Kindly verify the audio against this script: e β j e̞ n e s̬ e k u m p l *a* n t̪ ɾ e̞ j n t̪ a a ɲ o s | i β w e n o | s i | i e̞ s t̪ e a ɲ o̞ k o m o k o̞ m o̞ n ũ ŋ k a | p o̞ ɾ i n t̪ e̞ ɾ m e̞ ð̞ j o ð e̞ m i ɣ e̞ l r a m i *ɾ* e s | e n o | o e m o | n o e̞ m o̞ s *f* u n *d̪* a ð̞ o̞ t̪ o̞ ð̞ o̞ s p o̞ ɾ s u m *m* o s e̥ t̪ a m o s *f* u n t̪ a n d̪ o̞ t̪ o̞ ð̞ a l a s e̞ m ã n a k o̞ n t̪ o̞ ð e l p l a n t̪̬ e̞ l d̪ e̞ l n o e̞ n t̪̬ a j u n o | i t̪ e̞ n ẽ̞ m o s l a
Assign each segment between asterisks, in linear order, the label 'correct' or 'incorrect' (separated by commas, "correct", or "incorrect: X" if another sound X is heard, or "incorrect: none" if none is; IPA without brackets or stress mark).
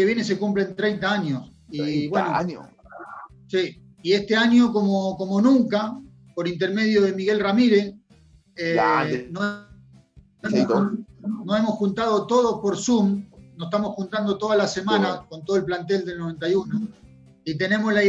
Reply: incorrect: e, correct, incorrect: x, incorrect: t̪, incorrect: n, incorrect: x